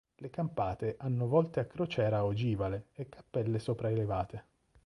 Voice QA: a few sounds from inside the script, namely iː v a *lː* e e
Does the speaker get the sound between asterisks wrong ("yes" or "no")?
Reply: yes